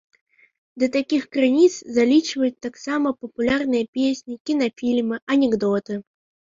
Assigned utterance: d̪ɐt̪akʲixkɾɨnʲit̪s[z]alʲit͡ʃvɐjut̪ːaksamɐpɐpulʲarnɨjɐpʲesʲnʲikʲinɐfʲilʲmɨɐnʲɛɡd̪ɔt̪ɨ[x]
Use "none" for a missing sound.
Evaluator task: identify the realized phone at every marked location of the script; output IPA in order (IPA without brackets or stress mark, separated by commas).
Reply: z, none